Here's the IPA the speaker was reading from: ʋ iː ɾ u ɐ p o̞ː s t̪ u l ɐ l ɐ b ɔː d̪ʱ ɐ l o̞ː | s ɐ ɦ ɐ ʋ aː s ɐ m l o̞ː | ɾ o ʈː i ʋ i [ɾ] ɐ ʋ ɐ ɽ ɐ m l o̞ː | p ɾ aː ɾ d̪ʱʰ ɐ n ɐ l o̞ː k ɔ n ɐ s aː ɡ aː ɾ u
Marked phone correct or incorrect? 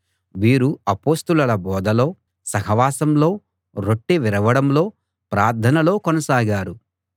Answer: correct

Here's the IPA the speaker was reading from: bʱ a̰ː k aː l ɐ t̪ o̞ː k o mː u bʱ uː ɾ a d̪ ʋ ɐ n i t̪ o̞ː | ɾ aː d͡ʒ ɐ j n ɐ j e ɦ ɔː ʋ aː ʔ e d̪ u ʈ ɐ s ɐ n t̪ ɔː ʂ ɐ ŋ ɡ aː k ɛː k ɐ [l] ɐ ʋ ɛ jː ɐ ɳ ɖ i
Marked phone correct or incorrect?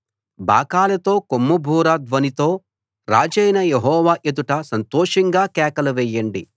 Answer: correct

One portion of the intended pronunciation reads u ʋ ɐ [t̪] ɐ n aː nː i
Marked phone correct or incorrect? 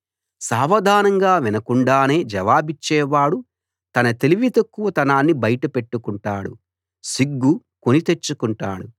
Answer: correct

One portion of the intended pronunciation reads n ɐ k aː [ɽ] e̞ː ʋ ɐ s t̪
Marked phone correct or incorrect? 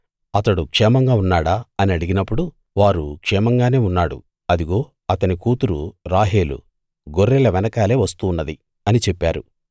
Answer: incorrect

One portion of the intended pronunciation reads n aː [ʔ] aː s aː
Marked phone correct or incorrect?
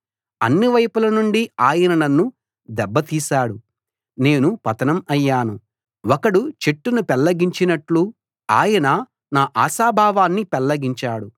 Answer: correct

